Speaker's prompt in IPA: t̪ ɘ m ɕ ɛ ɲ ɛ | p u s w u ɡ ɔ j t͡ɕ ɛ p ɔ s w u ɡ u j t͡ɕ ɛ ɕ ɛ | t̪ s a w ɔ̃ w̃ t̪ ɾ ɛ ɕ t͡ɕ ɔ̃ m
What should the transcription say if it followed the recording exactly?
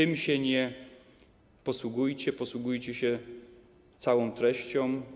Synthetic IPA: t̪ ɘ m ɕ ɛ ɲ ɛ | p ɔ s w u ɡ u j t͡ɕ ɛ p ɔ s w u ɡ u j t͡ɕ ɛ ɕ ɛ | t̪ s a w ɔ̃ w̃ t̪ ɾ ɛ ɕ t͡ɕ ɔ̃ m

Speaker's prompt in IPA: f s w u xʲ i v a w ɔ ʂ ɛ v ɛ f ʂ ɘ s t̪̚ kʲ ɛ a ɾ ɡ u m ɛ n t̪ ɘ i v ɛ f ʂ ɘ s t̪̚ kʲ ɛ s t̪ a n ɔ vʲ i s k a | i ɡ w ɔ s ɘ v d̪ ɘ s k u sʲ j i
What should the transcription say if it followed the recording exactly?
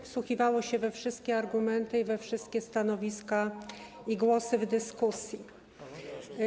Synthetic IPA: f s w u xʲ i v a w ɔ ɕ ɛ v ɛ f ʂ ɘ s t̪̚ kʲ ɛ a ɾ ɡ u m ɛ n t̪ ɘ i v ɛ f ʂ ɘ s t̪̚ kʲ ɛ s t̪ a n ɔ vʲ i s k a | i ɡ w ɔ s ɘ v d̪ ɘ s k u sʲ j i

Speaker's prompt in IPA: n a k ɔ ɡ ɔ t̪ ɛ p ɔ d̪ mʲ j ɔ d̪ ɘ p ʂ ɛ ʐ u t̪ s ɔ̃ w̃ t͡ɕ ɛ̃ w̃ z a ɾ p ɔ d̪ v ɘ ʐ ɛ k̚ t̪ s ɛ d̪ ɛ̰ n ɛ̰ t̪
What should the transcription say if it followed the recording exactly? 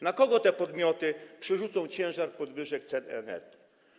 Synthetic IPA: n a k ɔ ɡ ɔ t̪ ɛ p ɔ d̪ mʲ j ɔ t̪ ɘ p ʂ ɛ ʐ u t̪ s ɔ̃ w̃ t͡ɕ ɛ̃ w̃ ʐ a ɾ p ɔ d̪ v ɘ ʐ ɛ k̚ t̪ s ɛ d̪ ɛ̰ n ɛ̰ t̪

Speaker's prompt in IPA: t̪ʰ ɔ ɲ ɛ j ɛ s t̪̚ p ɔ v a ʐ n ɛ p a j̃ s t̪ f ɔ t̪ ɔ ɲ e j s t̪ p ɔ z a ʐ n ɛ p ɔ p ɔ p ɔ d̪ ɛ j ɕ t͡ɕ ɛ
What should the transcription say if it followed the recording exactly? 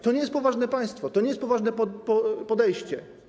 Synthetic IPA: t̪ ɔ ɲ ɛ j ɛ s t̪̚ p ɔ v a ʐ n ɛ p a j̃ s t̪ f ɔ t̪ ɔ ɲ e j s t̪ p ɔ v a ʐ n ɛ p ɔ p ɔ p ɔ d̪ ɛ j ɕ t͡ɕ ɛ

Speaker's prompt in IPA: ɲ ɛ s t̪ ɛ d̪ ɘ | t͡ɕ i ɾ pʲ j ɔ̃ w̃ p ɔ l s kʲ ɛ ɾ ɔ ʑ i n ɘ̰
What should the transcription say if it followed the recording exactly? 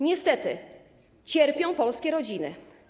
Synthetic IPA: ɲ ɛ s t̪ ɛ t̪ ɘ | t͡ɕ ɛ ɾ pʲ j ɔ̃ w̃ p ɔ l s kʲ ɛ ɾ ɔ d͡ʑ i n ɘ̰

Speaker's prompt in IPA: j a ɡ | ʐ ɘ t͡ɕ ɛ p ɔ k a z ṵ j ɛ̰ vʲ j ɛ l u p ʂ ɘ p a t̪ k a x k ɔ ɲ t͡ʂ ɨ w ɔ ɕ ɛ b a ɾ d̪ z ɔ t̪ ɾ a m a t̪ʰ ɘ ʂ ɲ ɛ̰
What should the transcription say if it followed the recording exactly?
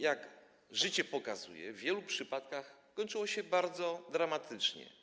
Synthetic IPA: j a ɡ | ʐ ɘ t͡ɕ ɛ p ɔ k a z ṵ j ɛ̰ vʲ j ɛ l u p ʂ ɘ p a t̪ k a x k ɔ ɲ t͡ʂ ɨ w ɔ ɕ ɛ b a ɾ d̪ z ɔ d̪ ɾ a m a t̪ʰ ɘ t͡ʂ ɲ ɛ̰

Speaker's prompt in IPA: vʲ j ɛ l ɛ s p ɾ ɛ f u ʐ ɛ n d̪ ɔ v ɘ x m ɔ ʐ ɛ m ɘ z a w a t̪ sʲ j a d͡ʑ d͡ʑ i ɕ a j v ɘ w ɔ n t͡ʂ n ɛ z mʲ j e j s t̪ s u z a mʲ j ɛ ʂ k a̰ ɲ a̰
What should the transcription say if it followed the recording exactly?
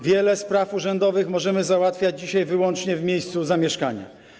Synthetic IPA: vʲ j ɛ l ɛ s p ɾ a f u ʐ ɛ n d̪ ɔ v ɘ x m ɔ ʐ ɛ m ɘ z a w a t̪ fʲ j a d͡ʑ d͡ʑ i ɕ a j v ɘ w ɔ n t͡ʂ ɲ ɛ v mʲ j e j s t̪ s u z a mʲ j ɛ ʂ k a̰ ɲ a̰

